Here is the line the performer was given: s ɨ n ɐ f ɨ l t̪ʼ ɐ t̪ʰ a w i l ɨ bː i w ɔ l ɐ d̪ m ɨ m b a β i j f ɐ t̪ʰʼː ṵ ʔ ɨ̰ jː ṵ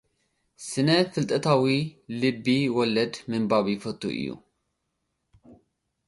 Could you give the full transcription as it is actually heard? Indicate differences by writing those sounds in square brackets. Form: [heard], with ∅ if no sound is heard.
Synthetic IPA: s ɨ n ɐ f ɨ l t̪ʼ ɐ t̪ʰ a w i l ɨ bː i w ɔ l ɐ d̪ m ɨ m b a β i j f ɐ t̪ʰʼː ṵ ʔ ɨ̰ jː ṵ